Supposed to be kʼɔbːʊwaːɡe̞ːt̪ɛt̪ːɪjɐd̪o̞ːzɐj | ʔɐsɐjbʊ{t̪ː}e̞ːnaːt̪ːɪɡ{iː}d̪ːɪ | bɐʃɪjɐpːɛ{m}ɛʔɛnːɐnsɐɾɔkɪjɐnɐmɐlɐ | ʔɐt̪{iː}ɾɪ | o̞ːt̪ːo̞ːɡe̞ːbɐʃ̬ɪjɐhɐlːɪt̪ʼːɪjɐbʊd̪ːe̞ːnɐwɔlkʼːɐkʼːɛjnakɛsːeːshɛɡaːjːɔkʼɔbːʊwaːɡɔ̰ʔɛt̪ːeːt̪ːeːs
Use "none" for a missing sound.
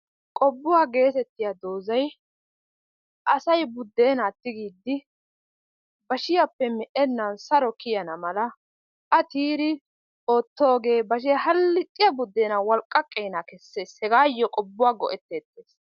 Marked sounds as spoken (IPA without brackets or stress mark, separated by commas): d̪ː, iː, m, iː